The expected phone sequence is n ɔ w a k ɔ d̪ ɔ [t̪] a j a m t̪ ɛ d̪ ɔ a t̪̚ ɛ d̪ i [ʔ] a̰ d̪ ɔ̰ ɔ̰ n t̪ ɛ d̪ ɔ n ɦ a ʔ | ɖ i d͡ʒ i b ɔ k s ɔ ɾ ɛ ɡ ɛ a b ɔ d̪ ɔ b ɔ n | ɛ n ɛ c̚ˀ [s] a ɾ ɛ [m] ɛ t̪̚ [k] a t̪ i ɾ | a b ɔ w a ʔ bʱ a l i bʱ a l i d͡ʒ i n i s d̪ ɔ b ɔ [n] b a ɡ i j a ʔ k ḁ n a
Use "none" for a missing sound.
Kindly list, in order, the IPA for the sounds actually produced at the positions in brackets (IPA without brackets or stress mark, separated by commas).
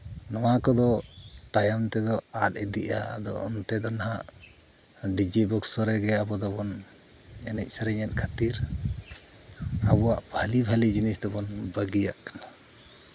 t̪, ʔ, s, ɲ, kʰ, n